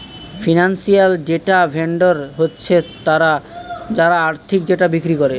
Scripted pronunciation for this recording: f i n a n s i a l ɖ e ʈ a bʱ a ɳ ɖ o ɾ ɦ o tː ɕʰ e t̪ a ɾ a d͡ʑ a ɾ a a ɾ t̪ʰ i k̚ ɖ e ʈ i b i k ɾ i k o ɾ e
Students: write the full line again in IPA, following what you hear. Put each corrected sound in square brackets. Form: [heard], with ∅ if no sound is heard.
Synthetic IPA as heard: f i n a n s i a l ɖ e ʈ a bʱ [e] ɳ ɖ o ɾ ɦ o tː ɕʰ e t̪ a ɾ a d͡ʑ a ɾ a a ɾ t̪ʰ i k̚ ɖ e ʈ [a] b i k ɾ i k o ɾ e